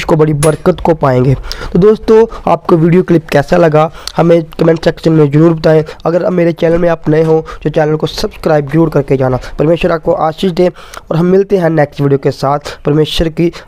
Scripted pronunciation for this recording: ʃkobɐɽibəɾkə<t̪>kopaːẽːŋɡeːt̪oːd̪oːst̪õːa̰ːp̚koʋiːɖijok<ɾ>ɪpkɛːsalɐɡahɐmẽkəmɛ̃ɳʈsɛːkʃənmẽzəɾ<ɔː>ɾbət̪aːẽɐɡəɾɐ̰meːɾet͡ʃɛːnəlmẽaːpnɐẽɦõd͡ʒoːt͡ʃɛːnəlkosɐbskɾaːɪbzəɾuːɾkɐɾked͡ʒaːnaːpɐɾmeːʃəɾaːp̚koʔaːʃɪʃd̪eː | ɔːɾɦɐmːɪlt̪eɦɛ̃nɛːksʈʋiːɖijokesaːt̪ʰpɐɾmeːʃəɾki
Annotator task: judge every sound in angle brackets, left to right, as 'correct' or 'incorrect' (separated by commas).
correct, incorrect, incorrect